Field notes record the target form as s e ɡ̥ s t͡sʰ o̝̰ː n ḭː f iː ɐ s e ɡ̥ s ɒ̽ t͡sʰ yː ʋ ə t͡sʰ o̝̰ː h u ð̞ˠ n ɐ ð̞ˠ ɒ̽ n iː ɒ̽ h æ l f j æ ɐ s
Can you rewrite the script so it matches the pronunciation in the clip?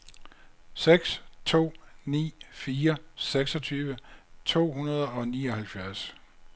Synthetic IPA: s e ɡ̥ s t͡sʰ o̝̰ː n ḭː f iː ɐ s e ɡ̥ s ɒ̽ t͡sʰ yː ʋ ə t͡sʰ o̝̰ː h u n ɐ ð̞ˠ ɒ̽ n iː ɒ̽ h æ l f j æ ɐ s